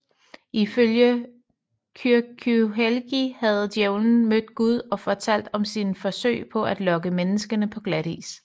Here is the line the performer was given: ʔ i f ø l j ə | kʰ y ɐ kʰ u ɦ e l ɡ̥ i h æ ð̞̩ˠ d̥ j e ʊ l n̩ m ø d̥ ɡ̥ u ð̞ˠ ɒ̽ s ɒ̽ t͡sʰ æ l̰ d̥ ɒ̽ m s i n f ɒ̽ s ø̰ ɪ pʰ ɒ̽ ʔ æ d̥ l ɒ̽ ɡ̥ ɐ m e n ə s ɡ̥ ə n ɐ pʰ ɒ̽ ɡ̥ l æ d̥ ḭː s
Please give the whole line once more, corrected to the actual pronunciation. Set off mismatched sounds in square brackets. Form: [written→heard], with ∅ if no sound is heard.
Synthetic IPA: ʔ i f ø l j ə | kʰ y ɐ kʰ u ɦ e l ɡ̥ i h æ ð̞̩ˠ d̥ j e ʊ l n̩ m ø d̥ ɡ̥ u ð̞ˠ ɒ̽ [s→f] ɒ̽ t͡sʰ æ l̰ d̥ ɒ̽ m s i n f ɒ̽ s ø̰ ɪ pʰ ɒ̽ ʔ æ d̥ l ɒ̽ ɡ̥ [ɐ→ə] m e n ə s ɡ̥ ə n [ɐ→ə] pʰ ɒ̽ ɡ̥ l æ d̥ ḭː s